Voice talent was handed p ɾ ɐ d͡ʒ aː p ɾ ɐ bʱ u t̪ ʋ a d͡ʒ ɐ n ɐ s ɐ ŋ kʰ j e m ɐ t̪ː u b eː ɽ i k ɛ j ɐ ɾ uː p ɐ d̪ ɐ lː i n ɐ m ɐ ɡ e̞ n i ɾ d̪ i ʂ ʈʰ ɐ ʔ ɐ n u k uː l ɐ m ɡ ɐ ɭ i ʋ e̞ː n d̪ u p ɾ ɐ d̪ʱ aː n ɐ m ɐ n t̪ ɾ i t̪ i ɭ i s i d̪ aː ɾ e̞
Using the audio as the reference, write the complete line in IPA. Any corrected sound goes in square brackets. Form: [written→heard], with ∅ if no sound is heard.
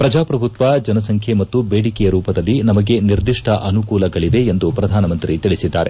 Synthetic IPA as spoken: p ɾ ɐ d͡ʒ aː p ɾ ɐ bʱ u t̪ ʋ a d͡ʒ ɐ n ɐ s ɐ ŋ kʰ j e m ɐ t̪ː u b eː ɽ i k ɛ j ɐ ɾ uː p ɐ d̪ ɐ lː i n ɐ m ɐ ɡ e̞ n i ɾ d̪ i ʂ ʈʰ ɐ ʔ ɐ n u k uː l ɐ [m→∅] ɡ ɐ ɭ i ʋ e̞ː n d̪ u p ɾ ɐ d̪ʱ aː n ɐ m ɐ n t̪ ɾ i t̪ i ɭ i s i [d̪→d̪ː] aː ɾ e̞